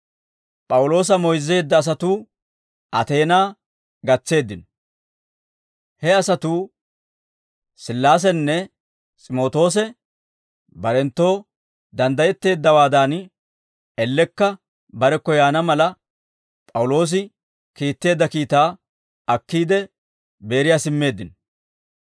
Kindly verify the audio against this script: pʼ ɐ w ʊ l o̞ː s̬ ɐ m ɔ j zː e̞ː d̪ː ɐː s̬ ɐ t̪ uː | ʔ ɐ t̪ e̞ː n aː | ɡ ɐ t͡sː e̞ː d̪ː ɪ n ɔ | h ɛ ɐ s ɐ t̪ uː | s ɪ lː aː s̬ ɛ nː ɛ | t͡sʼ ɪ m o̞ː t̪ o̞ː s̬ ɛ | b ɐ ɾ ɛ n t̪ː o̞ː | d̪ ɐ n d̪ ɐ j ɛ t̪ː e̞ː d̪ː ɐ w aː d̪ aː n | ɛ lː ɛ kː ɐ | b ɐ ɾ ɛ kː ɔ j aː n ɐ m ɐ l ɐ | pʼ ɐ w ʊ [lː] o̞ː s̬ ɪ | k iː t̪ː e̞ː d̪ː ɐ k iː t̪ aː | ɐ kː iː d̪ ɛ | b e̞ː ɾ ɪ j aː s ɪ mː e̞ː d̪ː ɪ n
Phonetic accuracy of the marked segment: incorrect: l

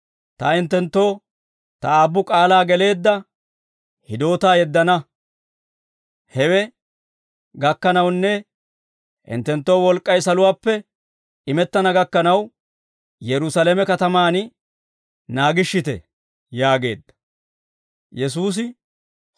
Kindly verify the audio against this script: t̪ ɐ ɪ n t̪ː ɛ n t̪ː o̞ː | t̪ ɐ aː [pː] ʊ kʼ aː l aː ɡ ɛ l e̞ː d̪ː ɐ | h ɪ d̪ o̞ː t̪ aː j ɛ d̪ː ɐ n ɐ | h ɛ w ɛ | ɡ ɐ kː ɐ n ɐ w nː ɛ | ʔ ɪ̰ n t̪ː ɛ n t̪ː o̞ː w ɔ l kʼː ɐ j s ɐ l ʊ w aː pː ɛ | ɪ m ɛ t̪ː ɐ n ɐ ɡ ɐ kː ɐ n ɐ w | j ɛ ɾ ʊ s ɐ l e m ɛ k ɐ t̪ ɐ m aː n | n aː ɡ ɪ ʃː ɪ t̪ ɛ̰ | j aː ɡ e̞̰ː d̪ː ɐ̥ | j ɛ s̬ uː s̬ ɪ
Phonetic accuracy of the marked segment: incorrect: bː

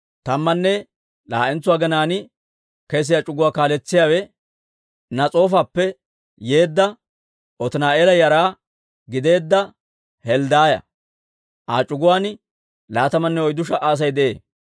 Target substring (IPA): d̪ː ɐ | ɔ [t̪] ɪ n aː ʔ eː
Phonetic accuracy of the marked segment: correct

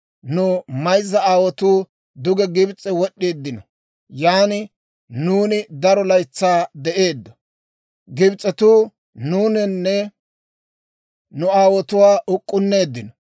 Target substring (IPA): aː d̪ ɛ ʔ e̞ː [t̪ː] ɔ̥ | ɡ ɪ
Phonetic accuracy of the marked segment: incorrect: d̪ː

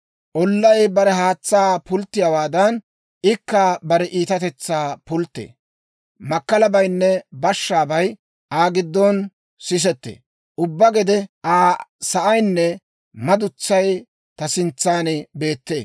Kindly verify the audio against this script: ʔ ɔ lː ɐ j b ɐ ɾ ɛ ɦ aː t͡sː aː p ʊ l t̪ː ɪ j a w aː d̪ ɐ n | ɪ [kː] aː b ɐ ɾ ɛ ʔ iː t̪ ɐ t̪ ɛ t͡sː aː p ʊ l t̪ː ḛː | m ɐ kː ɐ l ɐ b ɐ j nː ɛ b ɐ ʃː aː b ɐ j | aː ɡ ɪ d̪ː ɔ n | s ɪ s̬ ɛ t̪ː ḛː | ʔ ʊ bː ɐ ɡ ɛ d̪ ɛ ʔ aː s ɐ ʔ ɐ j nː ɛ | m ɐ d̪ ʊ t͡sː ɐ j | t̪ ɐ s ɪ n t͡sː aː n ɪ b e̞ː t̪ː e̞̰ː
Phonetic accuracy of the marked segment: correct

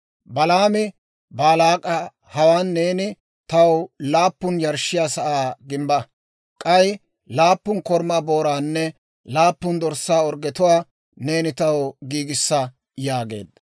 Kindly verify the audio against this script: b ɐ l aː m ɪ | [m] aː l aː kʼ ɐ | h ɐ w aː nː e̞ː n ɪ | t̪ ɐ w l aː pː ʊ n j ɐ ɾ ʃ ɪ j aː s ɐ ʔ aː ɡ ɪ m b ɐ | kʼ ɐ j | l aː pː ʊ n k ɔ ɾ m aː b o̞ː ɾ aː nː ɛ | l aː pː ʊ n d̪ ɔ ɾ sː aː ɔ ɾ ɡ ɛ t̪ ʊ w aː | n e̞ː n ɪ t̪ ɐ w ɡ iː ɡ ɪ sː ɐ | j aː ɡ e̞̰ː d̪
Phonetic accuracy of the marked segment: incorrect: b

